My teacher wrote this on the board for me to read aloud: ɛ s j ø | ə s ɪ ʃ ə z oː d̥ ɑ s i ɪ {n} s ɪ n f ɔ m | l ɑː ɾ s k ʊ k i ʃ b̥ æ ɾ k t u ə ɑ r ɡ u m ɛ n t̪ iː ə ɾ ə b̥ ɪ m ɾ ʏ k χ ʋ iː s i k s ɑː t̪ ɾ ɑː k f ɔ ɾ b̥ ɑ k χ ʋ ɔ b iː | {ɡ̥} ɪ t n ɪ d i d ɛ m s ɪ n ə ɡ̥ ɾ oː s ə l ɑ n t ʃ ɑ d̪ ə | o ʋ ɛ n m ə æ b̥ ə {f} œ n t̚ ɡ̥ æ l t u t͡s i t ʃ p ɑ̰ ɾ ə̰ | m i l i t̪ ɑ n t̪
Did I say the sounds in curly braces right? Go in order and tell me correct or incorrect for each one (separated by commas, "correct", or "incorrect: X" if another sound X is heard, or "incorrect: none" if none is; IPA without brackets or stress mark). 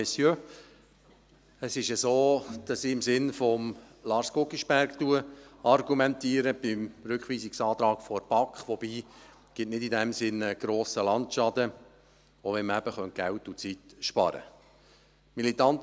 incorrect: m, correct, incorrect: χ